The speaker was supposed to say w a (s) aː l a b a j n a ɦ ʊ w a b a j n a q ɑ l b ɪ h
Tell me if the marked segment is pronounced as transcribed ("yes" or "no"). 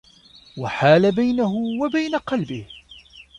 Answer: no